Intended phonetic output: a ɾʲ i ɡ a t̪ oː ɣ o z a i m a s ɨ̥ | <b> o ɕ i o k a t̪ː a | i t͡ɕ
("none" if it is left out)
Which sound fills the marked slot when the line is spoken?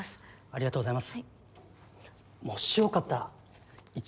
m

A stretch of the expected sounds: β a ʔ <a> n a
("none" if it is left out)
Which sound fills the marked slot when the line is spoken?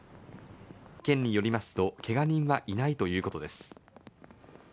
i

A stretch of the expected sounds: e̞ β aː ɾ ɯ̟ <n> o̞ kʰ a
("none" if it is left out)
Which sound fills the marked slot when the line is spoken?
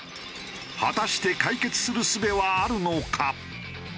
n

